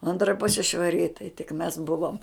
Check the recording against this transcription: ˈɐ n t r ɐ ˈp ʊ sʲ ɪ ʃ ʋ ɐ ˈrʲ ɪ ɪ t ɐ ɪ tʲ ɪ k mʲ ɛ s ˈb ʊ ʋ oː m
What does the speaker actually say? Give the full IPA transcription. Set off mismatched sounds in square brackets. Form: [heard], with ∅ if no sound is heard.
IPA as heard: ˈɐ n t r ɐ ˈp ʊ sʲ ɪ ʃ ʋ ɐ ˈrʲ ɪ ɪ t ɐ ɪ tʲ ɪ k mʲ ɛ s ˈb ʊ ʋ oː m